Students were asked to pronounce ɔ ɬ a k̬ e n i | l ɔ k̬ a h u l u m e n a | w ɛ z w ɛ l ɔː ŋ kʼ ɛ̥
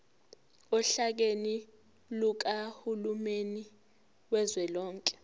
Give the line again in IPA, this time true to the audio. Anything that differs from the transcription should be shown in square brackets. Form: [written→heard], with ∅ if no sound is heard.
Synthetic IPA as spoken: ɔ ɬ a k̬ e n i | l [ɔ→u] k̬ a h u l u m e n [a→i] | w ɛ z w ɛ l ɔː ŋ kʼ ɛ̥